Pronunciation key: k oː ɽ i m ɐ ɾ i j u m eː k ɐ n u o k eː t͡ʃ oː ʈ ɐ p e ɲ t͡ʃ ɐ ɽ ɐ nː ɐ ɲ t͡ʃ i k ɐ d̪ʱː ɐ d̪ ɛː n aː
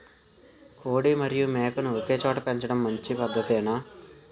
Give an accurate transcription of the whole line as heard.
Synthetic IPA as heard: k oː ɽ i m ɐ ɾ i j u m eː k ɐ n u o k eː t͡ʃ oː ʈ ɐ p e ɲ t͡ʃ ɐ ɽ ɐ mː ɐ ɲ t͡ʃ i p ɐ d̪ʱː ɐ t̪ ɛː n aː